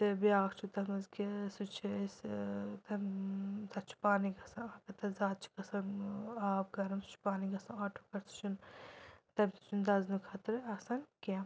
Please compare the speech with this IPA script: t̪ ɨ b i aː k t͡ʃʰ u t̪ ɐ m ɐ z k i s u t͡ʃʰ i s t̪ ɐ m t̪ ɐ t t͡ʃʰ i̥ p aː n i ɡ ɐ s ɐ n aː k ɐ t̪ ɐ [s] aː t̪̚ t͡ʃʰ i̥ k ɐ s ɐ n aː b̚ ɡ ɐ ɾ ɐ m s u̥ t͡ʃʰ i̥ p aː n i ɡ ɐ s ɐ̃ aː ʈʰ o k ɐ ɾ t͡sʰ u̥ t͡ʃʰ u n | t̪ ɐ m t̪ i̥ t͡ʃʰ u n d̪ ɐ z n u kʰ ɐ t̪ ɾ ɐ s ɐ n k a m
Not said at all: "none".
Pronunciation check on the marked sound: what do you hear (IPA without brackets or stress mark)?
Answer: z